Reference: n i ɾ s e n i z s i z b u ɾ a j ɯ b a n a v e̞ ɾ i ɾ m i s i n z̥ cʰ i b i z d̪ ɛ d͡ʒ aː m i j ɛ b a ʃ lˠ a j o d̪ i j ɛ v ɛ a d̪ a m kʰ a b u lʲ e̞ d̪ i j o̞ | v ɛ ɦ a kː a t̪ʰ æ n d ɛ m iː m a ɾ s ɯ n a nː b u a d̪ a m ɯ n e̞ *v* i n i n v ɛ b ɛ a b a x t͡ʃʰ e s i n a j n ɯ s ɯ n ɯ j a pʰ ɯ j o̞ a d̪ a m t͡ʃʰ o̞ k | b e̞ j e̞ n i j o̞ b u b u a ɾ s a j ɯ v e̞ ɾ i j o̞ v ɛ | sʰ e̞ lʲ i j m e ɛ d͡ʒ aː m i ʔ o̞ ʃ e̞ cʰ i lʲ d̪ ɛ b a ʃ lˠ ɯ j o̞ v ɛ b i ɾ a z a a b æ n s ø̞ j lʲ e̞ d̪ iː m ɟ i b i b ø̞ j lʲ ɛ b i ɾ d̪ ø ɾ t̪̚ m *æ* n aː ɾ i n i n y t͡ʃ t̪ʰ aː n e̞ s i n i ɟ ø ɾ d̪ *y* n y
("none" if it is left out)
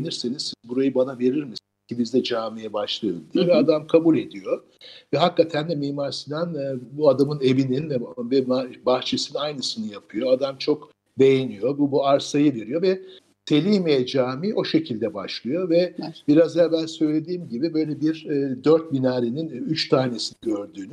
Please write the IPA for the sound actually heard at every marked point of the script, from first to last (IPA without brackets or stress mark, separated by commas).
v, i, yː